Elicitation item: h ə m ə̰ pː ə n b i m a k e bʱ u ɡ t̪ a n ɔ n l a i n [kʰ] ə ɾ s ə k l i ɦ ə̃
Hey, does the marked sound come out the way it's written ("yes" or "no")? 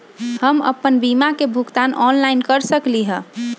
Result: no